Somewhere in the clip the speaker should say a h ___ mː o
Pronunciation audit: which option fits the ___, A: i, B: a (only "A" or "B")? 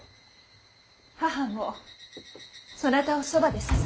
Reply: B